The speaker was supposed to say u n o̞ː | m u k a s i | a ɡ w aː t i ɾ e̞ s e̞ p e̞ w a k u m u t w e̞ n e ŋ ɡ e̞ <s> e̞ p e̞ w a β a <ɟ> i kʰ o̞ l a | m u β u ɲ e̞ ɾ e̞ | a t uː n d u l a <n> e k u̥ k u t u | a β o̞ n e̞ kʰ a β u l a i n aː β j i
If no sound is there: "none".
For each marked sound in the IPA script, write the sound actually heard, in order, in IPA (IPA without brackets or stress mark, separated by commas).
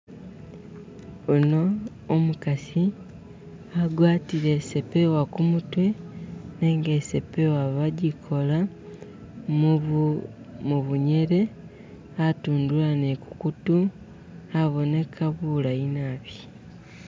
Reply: s, ɟ, n